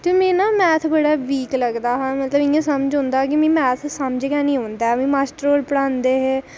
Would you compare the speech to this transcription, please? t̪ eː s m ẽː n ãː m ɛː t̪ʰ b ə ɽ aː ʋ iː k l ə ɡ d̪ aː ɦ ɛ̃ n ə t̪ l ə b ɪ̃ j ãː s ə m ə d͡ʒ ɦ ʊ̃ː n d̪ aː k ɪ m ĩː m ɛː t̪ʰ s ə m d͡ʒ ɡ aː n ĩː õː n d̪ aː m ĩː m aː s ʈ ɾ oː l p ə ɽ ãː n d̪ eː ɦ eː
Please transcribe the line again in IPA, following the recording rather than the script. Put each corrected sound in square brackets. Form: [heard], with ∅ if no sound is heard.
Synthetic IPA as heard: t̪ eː [∅] m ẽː n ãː m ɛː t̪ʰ b ə ɽ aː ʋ iː k l ə ɡ d̪ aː ɦ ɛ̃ [m] ə t̪ l ə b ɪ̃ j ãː s ə m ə d͡ʒ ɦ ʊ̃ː n d̪ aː k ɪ m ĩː m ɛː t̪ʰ s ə m d͡ʒ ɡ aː n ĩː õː n d̪ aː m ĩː m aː s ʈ ɾ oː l p ə ɽ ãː n d̪ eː ɦ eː